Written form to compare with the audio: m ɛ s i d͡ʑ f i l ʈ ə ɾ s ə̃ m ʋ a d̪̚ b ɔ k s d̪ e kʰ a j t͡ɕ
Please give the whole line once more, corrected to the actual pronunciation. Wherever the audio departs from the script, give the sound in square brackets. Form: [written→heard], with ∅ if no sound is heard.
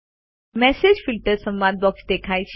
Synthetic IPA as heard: m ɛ s [i→e] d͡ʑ f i l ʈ ə ɾ s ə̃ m ʋ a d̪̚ b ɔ k s d̪ e kʰ a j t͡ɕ